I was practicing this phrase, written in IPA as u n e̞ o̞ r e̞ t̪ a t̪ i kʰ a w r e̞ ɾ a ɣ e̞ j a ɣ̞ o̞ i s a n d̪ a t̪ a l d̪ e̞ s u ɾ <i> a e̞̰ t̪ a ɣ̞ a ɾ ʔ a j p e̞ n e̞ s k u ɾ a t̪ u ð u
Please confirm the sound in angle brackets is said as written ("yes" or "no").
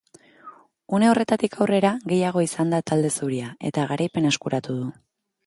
yes